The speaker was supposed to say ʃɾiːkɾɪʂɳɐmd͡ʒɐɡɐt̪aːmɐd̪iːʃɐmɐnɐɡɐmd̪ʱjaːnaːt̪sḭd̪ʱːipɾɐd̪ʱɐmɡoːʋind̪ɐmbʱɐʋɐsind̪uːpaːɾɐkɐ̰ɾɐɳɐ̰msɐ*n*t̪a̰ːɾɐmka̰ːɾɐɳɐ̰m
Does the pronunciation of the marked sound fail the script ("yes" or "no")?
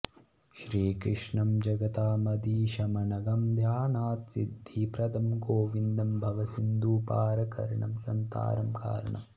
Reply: no